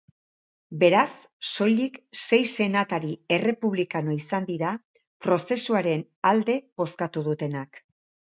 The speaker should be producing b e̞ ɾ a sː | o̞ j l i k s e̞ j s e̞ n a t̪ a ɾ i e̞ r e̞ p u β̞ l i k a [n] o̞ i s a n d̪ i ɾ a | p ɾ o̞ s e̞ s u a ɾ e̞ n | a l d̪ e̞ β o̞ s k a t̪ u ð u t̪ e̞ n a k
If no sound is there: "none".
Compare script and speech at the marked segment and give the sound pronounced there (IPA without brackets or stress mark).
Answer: n